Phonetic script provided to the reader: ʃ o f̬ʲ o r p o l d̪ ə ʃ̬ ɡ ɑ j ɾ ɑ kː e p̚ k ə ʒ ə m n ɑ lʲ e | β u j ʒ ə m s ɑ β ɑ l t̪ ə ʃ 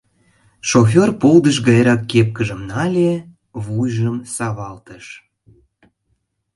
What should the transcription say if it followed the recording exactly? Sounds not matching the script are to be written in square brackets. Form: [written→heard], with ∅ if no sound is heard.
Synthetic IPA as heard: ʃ o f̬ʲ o r p o l d̪ ə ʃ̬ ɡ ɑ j ɾ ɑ kː e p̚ k ə ʒ ə m n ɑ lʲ e | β u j ʒ ə m s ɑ β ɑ l t̪ ə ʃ